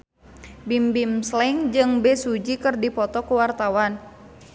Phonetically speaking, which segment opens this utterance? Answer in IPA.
b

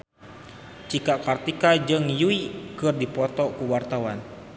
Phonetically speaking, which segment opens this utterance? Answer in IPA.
t͡ʃ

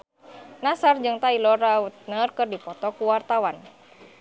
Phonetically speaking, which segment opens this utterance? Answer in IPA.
n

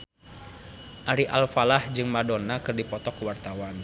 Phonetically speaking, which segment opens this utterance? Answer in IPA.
ʔ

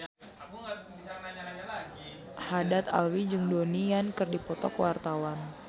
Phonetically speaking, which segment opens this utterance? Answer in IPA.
h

